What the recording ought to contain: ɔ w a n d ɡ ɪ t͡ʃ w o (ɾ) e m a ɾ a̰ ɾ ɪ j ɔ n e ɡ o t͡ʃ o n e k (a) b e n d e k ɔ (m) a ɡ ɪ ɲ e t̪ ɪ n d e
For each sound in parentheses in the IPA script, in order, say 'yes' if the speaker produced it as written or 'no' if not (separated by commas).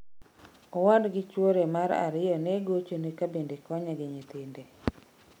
yes, yes, no